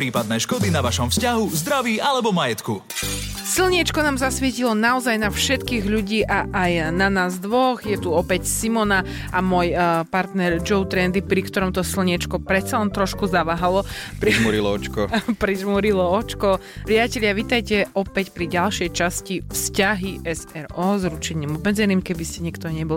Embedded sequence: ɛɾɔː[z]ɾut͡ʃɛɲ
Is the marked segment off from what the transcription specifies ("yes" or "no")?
no